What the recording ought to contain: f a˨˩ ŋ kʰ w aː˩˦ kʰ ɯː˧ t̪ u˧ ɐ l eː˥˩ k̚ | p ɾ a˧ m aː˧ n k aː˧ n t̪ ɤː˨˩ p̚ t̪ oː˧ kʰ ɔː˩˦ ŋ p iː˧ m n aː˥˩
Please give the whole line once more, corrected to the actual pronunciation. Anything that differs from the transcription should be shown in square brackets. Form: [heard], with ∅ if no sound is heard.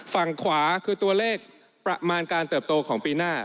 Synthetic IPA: f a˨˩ ŋ kʰ w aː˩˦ kʰ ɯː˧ t̪ u˧ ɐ l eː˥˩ k̚ | p ɾ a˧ m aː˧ n k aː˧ n t̪ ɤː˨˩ p̚ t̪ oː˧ kʰ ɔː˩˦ ŋ p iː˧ [∅] n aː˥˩